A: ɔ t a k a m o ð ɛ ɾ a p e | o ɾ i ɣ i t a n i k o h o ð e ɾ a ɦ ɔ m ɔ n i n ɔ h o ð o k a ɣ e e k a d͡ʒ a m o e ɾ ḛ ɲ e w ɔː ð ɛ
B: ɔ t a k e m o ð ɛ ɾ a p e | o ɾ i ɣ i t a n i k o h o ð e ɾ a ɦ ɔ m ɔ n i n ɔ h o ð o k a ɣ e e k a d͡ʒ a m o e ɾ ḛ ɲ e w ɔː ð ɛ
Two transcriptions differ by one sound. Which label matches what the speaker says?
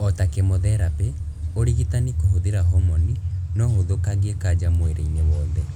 B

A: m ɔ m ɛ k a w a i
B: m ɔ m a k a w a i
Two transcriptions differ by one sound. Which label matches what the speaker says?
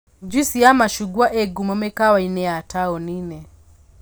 A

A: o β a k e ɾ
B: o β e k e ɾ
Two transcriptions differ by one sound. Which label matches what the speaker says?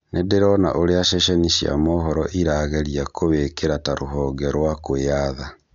B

